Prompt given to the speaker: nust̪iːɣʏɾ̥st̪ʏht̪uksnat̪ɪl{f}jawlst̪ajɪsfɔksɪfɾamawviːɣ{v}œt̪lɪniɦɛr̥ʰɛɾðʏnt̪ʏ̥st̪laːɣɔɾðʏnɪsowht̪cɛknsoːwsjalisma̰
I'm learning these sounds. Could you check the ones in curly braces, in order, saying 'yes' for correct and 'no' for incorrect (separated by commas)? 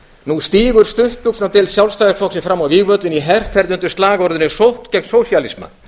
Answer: no, yes